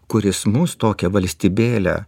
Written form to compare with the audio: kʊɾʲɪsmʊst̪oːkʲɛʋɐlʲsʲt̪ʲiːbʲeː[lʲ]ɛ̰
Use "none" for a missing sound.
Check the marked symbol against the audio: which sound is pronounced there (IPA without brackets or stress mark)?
lʲ